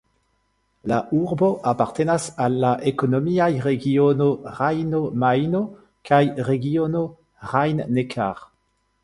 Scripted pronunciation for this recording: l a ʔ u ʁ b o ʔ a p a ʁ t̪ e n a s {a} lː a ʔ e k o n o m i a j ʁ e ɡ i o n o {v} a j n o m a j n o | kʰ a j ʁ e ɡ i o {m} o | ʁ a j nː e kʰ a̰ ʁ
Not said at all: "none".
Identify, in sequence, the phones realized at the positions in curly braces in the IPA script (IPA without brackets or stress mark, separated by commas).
a, ʁ, n